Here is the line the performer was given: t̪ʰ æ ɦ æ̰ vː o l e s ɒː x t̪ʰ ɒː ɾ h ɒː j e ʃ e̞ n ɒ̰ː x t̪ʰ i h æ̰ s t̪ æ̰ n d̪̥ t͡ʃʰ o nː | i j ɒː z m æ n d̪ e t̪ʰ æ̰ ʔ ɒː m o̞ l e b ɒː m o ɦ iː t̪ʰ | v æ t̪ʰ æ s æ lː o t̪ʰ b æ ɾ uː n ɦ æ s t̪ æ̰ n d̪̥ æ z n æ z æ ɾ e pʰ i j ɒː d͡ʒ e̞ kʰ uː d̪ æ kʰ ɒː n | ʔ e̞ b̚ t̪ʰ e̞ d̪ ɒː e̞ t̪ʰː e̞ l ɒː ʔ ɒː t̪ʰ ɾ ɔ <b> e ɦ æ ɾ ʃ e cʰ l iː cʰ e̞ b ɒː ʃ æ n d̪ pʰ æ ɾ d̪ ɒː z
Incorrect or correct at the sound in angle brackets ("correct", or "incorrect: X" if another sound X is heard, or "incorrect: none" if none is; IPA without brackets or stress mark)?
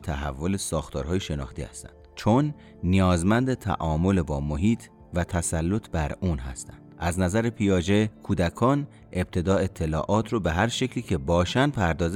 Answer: correct